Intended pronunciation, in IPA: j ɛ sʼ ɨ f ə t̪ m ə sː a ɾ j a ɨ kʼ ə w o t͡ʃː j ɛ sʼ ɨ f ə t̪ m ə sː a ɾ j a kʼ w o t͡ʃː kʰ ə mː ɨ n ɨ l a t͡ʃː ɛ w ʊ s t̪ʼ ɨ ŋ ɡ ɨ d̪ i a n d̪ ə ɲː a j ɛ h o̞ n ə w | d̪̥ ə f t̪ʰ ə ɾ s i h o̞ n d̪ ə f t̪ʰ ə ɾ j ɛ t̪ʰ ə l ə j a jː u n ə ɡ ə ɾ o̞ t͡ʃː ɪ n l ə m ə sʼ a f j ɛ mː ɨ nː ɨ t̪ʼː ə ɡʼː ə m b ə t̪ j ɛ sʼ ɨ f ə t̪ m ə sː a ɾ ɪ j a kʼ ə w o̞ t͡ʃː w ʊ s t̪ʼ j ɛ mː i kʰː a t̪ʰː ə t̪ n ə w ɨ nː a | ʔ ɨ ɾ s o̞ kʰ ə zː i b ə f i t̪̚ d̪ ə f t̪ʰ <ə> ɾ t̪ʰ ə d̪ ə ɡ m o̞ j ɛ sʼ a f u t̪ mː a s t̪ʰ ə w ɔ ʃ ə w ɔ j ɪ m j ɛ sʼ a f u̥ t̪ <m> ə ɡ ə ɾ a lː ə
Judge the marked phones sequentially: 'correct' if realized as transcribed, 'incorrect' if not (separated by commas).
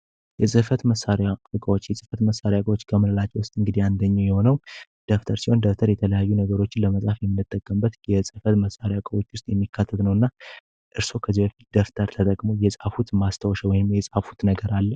correct, incorrect